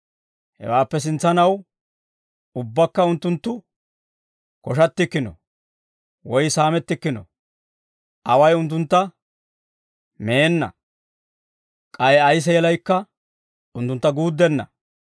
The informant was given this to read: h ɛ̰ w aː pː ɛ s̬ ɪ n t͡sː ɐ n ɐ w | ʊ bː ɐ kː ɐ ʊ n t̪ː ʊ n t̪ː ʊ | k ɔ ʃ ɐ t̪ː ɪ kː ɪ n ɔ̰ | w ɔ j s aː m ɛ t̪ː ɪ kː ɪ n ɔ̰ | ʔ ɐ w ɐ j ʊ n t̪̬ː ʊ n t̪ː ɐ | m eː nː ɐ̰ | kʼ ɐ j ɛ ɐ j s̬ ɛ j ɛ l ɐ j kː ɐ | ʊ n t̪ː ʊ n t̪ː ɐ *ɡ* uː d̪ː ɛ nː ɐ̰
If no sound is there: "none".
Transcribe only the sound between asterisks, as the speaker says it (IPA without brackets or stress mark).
ɡ